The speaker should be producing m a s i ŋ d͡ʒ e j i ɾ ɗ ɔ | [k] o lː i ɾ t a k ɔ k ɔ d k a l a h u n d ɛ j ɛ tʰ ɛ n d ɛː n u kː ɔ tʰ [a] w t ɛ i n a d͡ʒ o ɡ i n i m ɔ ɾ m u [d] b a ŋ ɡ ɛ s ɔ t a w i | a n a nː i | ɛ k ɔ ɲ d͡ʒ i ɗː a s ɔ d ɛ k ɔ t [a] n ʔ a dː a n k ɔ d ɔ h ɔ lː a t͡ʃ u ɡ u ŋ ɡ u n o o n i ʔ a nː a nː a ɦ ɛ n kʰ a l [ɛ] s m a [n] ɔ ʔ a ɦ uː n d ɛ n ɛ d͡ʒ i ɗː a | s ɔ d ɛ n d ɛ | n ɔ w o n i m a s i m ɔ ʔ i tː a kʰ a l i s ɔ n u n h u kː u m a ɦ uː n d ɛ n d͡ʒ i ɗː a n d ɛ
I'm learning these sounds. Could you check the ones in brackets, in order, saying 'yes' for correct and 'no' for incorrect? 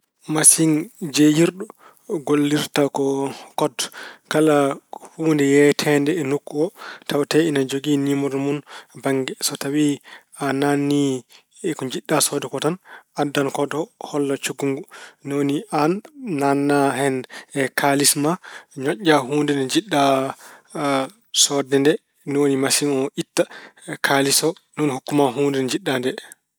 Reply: no, yes, no, yes, no, no

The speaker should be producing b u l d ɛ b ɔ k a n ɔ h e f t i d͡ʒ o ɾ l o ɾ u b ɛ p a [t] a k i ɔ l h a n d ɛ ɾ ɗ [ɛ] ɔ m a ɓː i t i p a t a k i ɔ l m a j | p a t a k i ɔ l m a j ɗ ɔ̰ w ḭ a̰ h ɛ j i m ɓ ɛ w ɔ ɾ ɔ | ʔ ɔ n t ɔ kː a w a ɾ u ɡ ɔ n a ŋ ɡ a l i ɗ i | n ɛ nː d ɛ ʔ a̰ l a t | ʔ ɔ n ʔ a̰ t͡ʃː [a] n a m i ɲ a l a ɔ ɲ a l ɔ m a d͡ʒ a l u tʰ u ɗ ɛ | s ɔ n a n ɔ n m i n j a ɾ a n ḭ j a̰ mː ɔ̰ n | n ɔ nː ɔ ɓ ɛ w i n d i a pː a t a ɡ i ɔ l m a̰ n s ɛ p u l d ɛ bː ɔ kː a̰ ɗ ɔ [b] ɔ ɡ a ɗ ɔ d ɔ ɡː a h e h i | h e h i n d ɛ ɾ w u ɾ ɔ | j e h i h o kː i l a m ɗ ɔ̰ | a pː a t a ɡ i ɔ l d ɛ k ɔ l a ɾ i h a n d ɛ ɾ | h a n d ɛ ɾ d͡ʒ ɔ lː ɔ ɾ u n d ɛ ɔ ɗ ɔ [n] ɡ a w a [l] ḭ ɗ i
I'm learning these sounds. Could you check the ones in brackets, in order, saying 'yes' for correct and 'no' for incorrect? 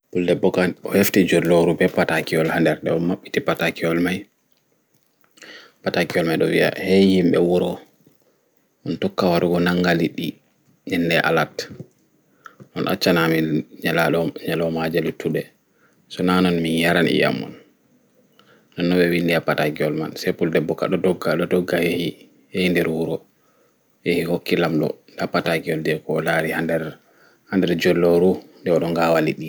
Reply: yes, yes, yes, no, no, yes

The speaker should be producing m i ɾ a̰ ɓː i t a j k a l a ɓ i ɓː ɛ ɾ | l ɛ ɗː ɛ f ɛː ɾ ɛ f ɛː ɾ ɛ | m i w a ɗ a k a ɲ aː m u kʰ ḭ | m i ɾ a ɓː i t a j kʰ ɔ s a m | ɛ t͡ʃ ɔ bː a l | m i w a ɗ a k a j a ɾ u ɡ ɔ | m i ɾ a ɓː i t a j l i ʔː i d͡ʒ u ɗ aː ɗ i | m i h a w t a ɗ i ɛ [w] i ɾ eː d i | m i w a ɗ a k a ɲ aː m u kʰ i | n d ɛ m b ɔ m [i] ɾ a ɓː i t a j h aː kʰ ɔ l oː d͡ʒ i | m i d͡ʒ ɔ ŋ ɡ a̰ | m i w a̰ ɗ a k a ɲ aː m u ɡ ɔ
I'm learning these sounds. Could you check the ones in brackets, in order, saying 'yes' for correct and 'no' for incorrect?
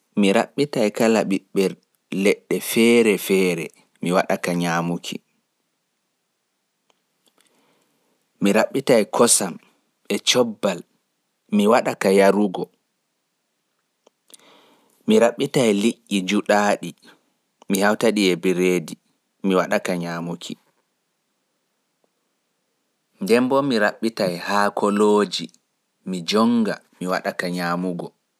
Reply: no, yes

